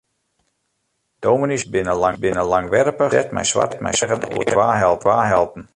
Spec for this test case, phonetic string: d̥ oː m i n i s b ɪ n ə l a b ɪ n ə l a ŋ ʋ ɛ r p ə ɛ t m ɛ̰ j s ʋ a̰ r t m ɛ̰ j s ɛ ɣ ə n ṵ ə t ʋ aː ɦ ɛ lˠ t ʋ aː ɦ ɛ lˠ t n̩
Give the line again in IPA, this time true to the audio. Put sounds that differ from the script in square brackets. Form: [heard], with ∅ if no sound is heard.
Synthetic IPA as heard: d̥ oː m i n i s b ɪ n ə l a b ɪ n ə l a ŋ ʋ ɛ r p ə ɛ t m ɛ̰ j s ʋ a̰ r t m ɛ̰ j s ɛ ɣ ə n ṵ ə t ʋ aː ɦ ɛ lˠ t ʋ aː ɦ ɛ lˠ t n̩